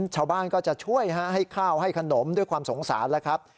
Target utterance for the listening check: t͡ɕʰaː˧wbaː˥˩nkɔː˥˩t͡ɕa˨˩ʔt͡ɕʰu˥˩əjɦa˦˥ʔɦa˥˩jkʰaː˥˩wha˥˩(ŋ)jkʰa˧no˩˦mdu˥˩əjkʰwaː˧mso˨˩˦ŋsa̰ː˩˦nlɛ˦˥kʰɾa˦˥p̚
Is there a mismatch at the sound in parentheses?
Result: yes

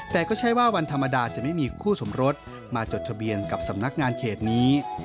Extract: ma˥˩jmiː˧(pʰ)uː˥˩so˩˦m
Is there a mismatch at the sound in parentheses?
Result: yes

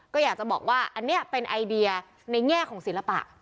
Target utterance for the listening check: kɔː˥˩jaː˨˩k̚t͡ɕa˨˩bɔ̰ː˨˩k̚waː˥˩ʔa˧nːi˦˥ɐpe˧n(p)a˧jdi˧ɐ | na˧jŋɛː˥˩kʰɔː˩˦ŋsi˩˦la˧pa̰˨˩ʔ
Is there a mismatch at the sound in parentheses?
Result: yes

